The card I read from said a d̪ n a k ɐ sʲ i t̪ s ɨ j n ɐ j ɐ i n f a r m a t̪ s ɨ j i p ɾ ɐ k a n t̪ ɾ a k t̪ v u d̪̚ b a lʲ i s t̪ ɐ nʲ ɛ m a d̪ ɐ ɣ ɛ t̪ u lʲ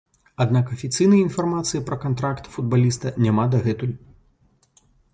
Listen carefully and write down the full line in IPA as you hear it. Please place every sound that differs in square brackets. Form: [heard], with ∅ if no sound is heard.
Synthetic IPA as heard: a d̪ n a k ɐ [fʲ] i t̪ s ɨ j n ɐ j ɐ i n f a r m a t̪ s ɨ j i p ɾ ɐ k a n t̪ ɾ a k t̪ [f] u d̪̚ b a lʲ i s t̪ ɐ nʲ [a] m a d̪ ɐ ɣ ɛ t̪ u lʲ